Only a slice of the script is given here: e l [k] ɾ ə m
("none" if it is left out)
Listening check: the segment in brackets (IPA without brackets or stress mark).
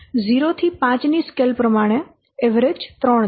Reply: p